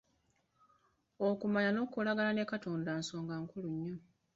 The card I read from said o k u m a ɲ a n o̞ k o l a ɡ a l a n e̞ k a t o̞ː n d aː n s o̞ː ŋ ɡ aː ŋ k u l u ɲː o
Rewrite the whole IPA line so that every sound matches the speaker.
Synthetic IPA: o k u m a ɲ a n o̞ k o l a ɡ a l a n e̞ k a t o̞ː n d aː n s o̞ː ŋ ɡ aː ŋ k u l u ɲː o